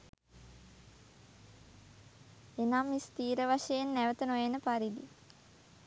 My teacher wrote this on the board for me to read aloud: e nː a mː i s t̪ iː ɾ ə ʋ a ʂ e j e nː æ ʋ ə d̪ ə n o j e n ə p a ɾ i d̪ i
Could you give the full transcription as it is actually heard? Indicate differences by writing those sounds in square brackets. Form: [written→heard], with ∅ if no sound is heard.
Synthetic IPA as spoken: e [nː→n] a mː i s t̪ iː ɾ ə ʋ a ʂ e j e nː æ ʋ ə [d̪→t̪] ə n o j e n ə p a ɾ i d̪ i